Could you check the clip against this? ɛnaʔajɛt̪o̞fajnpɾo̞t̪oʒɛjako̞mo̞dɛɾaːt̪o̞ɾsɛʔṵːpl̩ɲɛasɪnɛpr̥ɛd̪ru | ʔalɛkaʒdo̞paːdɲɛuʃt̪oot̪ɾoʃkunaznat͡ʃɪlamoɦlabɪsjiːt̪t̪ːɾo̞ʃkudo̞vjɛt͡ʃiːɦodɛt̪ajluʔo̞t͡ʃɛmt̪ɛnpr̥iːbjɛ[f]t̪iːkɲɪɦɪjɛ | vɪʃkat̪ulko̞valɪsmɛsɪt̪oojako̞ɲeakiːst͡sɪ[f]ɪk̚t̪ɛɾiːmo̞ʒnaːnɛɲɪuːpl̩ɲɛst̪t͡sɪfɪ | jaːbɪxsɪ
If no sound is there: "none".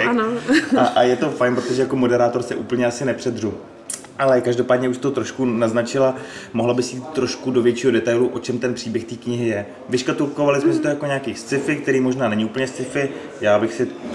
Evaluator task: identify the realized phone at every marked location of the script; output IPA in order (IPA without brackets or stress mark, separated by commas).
x, f